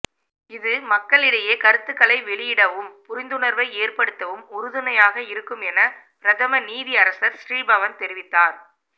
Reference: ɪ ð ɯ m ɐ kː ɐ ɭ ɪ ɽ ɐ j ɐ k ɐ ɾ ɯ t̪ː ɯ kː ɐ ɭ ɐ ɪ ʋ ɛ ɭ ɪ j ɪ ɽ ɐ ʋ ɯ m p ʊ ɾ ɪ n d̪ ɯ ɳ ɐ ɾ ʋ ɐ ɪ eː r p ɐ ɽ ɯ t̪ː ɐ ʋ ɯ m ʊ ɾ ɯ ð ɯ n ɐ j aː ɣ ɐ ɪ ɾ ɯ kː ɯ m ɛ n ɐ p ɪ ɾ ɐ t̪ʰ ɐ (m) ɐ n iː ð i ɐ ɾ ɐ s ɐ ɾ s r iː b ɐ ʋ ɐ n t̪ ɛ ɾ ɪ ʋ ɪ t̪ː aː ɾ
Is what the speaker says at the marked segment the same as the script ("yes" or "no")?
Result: yes